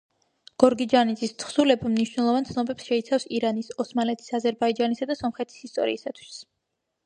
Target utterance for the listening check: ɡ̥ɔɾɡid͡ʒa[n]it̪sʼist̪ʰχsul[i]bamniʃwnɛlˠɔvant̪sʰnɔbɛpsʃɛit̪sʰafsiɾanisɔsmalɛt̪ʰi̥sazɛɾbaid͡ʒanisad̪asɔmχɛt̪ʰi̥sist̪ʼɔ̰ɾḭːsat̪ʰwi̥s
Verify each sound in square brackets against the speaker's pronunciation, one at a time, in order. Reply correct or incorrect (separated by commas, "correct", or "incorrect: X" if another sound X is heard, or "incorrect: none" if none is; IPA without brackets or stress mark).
correct, incorrect: ɛ